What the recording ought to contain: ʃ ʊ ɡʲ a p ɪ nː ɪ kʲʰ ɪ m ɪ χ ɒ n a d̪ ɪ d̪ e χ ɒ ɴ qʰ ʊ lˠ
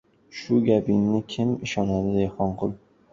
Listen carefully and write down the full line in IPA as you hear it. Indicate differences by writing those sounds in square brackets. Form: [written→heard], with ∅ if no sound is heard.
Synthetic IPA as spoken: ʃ ʊ ɡʲ a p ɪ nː ɪ kʲʰ ɪ m ɪ [χ→ʃ] ɒ n a d̪ ɪ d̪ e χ ɒ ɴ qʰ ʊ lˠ